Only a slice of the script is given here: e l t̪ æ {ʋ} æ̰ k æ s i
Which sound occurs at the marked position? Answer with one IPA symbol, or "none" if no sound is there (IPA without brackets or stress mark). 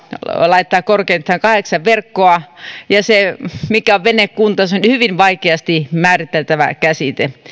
ʋ